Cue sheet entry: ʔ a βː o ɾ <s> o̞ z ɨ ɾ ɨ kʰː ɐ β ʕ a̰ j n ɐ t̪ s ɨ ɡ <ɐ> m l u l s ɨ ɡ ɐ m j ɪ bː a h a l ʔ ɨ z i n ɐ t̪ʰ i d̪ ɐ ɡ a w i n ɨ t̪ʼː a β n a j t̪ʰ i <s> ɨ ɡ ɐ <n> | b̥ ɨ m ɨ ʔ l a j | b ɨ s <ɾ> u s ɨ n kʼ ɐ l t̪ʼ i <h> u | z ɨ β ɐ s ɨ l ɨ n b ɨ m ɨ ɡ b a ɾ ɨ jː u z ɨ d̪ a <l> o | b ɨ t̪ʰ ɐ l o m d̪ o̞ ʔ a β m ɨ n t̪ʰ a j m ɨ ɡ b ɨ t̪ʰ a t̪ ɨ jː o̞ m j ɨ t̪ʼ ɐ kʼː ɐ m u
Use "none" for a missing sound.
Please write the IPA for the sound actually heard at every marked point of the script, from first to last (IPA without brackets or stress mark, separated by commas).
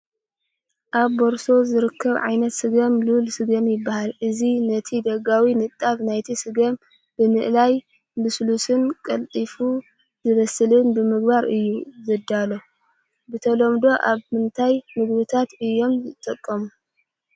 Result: s, ɐ, s, m, l, f, l